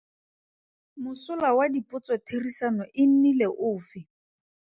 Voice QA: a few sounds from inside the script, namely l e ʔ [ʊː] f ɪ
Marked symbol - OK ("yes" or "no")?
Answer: yes